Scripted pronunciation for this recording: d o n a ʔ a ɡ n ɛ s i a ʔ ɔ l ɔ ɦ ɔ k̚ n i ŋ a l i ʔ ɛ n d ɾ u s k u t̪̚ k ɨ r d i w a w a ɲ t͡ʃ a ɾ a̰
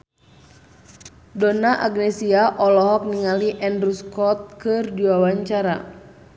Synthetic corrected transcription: d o n a ʔ a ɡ n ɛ s i a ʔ ɔ l ɔ ɦ ɔ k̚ n i ŋ a l i ʔ ɛ n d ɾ u s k ɔ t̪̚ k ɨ r d i w a w a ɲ t͡ʃ a ɾ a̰

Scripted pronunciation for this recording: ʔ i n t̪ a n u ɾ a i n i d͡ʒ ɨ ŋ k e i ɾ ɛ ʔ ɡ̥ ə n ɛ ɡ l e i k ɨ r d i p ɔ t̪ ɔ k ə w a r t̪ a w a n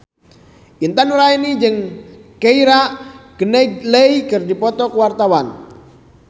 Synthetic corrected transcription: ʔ i n t̪ a n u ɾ a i n i d͡ʒ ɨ ŋ k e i ɾ a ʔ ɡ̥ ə n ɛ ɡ l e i k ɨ r d i p ɔ t̪ ɔ k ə w a r t̪ a w a n

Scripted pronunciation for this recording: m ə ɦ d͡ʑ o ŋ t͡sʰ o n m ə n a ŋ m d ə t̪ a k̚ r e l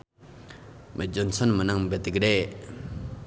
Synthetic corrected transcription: m ə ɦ d͡ʑ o n t͡sʰ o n m ə n a ŋ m b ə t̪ ə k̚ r e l

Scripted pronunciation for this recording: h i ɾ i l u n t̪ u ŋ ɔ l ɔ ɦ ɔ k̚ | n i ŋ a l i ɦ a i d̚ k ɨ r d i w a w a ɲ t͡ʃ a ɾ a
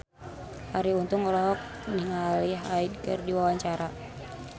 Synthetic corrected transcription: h a ɾ i u n t̪ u ŋ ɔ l ɔ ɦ ɔ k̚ | n i ŋ a l i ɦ a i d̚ k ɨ r d i w a w a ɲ t͡ʃ a ɾ a

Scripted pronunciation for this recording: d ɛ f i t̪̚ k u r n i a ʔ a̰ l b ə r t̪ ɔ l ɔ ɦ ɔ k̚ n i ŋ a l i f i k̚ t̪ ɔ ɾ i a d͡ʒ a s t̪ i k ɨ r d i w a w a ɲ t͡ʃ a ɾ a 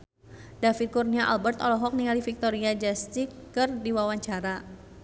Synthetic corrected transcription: d a f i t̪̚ k u r n i a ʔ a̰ l b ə r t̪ ɔ l ɔ ɦ ɔ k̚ n i ŋ a l i f i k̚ t̪ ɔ ɾ i a d͡ʒ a s t̪ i k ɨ r d i w a w a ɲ t͡ʃ a ɾ a

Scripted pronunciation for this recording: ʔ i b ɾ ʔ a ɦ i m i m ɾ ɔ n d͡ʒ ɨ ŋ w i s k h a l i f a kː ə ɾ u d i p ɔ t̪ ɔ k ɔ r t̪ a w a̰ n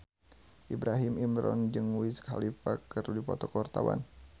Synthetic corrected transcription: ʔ i b ɾ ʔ a ɦ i m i m ɾ ɔ n d͡ʒ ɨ ŋ w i s k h a l i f a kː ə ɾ u d i p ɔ t̪ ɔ k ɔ r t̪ a w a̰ n

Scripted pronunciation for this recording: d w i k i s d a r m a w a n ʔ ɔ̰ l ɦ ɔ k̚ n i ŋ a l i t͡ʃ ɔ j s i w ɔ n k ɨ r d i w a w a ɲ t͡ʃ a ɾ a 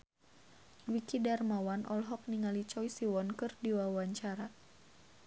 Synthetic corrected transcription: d w i k i d a r m a w a n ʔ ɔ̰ l ɦ ɔ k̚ n i ŋ a l i t͡ʃ ɔ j s i w ɔ n k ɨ r d i w a w a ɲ t͡ʃ a ɾ a

